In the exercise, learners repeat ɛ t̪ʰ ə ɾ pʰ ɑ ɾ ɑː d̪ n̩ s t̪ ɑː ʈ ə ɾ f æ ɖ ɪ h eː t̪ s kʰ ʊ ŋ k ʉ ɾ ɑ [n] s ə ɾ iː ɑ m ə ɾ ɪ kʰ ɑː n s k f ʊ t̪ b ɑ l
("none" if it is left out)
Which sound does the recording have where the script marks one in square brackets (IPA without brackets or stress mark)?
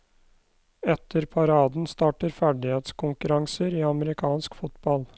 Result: ŋ